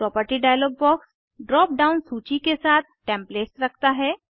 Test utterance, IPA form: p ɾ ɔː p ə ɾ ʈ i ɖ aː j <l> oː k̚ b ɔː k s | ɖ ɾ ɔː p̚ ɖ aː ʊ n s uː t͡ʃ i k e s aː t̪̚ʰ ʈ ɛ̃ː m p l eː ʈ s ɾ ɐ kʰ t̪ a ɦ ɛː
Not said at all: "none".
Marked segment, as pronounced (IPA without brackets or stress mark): l